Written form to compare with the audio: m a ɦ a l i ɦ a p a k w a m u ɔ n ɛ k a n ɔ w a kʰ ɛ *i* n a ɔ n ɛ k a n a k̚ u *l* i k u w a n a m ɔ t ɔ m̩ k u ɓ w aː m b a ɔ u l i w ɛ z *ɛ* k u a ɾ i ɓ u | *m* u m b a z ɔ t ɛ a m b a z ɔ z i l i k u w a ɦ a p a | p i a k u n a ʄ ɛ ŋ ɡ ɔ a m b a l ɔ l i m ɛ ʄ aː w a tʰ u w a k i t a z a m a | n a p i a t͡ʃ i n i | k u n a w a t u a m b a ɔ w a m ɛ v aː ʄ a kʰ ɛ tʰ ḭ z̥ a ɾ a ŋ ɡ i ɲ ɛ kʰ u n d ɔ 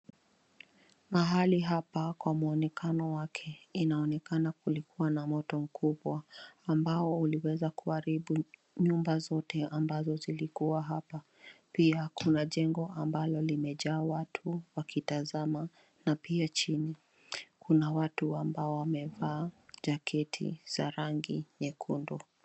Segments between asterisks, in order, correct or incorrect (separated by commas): correct, correct, incorrect, incorrect